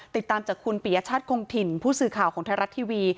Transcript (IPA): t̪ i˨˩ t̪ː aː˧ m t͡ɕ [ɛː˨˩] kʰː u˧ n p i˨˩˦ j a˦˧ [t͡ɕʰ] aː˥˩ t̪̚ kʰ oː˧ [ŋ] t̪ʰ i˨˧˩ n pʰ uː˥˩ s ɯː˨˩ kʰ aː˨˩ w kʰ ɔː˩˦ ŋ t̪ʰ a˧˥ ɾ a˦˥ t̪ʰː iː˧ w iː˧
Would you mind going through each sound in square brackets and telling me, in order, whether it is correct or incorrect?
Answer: incorrect: aː˨˩, correct, correct

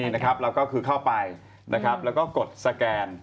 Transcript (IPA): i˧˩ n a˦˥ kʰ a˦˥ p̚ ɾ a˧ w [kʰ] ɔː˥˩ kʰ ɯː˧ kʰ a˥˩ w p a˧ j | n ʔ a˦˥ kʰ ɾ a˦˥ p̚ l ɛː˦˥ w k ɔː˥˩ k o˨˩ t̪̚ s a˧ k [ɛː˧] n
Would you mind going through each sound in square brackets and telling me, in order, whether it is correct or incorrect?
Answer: incorrect: k, correct

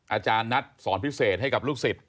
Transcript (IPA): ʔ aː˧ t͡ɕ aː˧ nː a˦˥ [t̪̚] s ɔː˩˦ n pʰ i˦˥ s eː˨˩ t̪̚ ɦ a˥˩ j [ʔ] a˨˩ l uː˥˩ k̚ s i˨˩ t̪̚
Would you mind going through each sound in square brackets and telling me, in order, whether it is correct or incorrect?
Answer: correct, incorrect: k

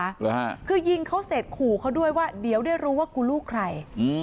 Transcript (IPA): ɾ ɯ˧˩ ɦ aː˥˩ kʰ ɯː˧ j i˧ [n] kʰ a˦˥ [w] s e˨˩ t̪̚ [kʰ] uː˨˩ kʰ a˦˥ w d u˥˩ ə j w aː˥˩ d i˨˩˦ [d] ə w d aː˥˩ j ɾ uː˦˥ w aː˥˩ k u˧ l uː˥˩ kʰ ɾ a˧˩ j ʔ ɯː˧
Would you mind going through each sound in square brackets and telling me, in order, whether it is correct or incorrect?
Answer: incorrect: ŋ, correct, correct, incorrect: none

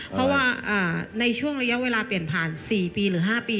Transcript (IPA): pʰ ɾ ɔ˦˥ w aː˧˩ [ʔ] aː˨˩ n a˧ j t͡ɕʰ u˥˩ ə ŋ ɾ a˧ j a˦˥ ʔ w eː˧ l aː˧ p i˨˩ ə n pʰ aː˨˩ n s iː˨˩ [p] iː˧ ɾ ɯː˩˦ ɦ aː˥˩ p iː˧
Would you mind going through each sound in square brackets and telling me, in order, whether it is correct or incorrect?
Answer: correct, correct

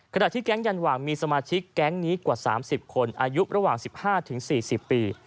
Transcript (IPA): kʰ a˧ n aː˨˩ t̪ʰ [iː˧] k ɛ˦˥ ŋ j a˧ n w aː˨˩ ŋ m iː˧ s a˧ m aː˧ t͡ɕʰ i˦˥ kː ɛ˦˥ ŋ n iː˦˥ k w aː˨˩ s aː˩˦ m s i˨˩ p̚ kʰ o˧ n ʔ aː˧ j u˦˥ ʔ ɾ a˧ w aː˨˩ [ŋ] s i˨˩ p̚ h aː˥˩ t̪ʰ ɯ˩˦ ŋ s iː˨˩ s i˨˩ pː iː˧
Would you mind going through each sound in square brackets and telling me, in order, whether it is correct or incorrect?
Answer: incorrect: iː˥˩, correct

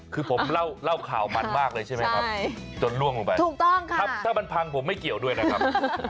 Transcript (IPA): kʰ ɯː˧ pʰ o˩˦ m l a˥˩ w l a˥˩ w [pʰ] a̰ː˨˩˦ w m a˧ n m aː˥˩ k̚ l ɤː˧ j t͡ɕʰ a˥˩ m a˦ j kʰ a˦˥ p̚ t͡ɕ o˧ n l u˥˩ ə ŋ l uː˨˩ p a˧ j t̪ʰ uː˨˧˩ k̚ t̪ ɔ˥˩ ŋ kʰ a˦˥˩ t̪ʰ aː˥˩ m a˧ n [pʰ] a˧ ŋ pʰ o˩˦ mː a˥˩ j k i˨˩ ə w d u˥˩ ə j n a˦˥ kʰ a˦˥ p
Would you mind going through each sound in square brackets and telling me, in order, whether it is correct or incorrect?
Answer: incorrect: kʰ, correct

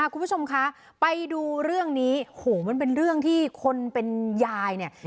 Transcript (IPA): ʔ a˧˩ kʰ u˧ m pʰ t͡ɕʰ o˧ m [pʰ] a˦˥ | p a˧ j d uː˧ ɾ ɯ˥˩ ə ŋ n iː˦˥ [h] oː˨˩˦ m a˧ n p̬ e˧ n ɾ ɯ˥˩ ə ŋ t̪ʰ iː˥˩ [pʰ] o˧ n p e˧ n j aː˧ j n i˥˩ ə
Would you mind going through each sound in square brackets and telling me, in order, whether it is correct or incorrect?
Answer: incorrect: kʰ, correct, incorrect: kʰ

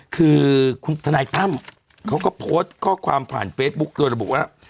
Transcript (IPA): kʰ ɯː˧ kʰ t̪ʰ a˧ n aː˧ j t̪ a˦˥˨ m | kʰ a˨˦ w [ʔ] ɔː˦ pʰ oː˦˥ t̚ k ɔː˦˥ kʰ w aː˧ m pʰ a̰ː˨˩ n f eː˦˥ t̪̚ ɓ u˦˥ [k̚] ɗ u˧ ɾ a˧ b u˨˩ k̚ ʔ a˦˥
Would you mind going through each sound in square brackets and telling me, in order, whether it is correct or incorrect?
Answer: incorrect: k, correct

